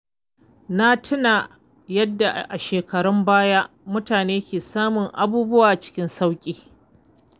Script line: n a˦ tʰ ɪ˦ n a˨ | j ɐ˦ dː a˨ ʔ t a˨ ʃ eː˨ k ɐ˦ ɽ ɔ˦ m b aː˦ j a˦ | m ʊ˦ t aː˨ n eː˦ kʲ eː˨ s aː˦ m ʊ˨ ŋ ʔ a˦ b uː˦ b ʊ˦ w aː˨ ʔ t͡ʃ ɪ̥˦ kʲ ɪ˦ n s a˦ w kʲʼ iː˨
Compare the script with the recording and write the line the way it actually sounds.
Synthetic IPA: n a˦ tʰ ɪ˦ n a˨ | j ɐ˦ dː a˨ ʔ ʔ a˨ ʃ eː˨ k ɐ˨ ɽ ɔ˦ m b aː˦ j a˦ | m ʊ˦ t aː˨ n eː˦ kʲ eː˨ s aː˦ m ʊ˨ ŋ ʔ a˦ b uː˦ b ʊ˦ w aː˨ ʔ t͡ʃ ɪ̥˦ kʲ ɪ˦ n s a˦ w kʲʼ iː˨